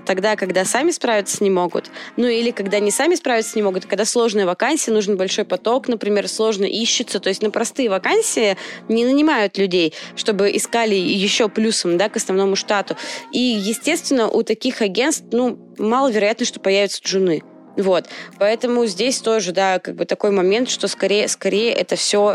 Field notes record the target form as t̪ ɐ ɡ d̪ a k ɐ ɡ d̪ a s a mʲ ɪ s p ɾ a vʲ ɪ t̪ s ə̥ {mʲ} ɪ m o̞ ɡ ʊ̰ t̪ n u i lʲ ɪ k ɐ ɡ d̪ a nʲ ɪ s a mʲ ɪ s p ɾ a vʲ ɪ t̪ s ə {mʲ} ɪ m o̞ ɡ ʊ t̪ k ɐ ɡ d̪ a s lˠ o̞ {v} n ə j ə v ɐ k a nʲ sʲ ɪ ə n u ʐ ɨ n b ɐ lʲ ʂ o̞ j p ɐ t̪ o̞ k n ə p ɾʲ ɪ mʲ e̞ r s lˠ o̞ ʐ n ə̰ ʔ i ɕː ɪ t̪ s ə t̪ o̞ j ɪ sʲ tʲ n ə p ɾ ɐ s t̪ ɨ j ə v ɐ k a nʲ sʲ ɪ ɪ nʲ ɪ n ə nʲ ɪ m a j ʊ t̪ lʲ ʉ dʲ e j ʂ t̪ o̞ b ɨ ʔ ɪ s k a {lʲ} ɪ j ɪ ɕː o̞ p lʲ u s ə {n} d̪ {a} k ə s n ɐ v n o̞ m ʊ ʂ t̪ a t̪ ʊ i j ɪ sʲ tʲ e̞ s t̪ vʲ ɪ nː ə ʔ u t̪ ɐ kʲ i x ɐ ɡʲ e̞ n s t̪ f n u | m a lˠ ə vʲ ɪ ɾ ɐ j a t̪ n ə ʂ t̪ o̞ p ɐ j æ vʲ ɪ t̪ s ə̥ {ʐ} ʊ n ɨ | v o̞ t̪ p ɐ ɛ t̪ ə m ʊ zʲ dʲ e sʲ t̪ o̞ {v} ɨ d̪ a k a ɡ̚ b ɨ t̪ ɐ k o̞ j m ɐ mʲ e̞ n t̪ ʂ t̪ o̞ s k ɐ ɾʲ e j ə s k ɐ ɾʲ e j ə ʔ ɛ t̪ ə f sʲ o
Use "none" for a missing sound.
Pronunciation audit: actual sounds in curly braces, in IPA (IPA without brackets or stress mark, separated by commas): nʲ, nʲ, ʐ, lʲ, m, a, ʐ, ʐ